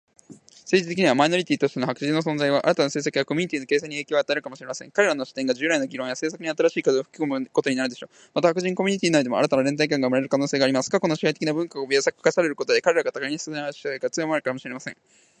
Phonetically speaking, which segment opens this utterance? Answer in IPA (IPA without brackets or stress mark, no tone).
s